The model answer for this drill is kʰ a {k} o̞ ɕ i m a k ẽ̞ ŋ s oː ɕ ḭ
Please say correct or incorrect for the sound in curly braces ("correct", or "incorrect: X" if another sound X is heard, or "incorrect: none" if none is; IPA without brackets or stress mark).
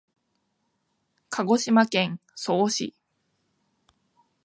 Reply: incorrect: ɡ